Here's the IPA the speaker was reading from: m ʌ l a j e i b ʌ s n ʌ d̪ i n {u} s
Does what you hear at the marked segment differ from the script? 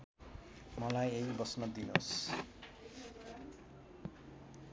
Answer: yes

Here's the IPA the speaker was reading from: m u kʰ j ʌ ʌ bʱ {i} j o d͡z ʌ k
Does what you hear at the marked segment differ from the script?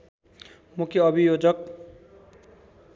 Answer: no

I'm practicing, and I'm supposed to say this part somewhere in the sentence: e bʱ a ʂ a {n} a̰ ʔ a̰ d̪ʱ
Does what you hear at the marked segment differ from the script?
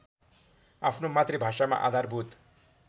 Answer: yes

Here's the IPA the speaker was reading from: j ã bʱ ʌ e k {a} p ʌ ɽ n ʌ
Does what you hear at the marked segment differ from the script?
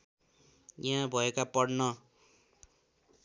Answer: no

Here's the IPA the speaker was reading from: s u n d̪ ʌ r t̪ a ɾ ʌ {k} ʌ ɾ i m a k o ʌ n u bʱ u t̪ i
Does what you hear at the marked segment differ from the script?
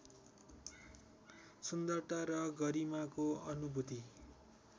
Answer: yes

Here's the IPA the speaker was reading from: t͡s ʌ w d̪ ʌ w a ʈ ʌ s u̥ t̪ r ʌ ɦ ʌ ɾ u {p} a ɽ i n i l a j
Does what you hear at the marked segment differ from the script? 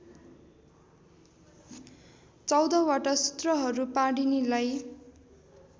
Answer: no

